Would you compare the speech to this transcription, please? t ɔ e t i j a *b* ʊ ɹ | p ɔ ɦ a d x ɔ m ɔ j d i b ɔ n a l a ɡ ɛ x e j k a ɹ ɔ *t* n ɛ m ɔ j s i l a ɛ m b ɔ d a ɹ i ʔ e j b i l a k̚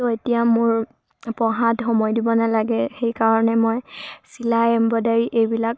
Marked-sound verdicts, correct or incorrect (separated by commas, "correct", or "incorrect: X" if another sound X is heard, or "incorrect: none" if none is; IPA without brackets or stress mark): incorrect: m, incorrect: none